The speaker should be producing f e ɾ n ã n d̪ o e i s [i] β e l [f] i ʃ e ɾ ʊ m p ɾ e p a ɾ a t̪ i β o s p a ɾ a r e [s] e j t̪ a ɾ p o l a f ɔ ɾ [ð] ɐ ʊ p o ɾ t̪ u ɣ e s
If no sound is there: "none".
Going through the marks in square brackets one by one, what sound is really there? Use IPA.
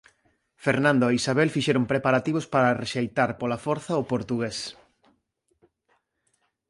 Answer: a, f, ʃ, θ

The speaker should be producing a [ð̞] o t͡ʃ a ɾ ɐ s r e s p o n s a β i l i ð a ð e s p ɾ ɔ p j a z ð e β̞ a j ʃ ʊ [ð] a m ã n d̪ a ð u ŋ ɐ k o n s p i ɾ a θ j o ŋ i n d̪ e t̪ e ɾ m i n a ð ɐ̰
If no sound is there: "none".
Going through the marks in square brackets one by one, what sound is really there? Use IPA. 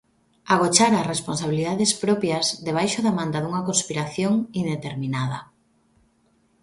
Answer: ɣ̞, ð

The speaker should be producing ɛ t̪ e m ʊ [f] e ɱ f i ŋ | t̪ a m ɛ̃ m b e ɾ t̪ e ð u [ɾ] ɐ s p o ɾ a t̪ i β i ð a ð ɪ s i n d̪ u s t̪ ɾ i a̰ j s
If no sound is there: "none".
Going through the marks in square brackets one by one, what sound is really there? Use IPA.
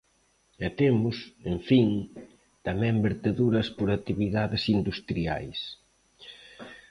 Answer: s, ɾ

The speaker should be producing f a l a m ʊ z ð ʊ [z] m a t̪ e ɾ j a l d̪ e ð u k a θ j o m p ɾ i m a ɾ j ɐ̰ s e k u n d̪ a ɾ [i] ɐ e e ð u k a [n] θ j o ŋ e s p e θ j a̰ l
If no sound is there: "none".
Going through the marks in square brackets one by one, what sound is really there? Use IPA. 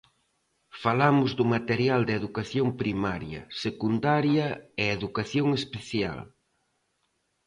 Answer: none, j, none

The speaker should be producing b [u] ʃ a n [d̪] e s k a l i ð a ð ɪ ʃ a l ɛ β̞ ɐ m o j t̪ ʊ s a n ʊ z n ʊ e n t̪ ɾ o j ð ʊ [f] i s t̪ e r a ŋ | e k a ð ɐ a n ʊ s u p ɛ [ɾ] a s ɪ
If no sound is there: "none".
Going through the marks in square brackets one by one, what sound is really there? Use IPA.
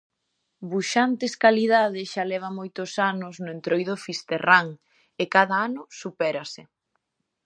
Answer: u, t̪, f, ɾ

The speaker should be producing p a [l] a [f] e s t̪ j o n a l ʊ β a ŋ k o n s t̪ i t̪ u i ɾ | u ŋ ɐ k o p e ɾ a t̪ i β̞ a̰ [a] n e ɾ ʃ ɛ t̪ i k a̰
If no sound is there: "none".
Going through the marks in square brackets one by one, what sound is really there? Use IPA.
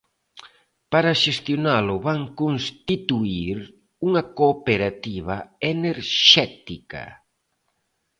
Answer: ɾ, ʃ, e

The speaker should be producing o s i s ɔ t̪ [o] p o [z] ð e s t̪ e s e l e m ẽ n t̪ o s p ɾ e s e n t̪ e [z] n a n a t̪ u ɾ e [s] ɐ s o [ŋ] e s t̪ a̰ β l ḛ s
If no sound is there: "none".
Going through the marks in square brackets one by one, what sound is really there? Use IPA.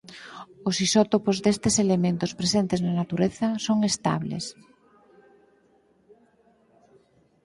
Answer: o, z, z, θ, ŋ

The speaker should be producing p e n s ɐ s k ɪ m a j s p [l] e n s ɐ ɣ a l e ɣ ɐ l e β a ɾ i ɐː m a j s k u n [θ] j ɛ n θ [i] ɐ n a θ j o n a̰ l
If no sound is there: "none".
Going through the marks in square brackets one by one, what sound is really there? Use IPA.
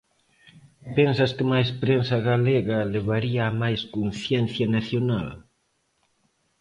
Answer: ɾ, θ, j

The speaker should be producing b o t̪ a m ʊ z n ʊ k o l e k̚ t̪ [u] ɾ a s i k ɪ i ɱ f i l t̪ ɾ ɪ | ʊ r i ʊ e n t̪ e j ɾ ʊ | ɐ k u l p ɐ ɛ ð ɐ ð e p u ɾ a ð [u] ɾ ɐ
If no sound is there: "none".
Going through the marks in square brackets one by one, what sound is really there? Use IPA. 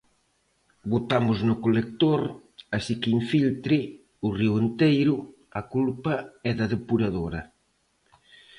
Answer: o, o

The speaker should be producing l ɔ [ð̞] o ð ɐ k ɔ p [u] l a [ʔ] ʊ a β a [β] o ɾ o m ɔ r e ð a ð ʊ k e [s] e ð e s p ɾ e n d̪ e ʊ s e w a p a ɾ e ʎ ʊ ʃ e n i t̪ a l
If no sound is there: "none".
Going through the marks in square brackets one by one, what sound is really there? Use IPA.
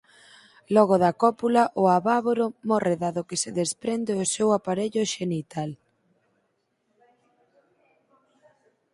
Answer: ɣ̞, u, ʔ, β, s

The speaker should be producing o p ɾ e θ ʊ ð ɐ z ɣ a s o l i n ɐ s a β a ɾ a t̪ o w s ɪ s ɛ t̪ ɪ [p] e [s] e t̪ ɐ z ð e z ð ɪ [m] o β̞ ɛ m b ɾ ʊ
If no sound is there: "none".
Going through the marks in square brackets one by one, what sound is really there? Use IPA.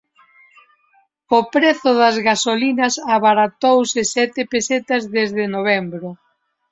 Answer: p, s, n

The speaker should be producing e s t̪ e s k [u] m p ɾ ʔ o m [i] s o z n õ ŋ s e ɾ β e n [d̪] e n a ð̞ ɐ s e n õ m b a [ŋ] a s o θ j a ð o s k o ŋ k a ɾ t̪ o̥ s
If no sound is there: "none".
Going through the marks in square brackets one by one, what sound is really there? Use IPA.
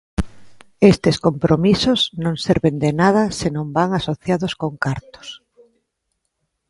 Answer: o, i, d̪, ŋ

